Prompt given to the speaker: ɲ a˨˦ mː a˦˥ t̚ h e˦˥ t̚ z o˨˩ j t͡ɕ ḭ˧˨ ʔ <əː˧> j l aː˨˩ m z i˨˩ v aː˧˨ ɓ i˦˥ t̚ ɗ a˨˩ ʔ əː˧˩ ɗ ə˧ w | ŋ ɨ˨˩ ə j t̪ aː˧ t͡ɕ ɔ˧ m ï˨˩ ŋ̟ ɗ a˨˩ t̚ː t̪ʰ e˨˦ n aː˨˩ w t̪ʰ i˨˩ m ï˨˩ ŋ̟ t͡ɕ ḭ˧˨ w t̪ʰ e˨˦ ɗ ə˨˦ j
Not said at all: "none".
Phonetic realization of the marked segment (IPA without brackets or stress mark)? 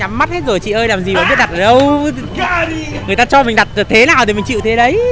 əː˧